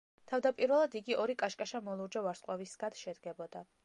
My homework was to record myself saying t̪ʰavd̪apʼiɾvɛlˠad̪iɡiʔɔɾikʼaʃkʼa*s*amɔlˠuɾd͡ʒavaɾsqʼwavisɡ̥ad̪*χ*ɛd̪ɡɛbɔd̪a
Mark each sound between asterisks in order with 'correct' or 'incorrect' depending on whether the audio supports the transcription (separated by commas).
incorrect, incorrect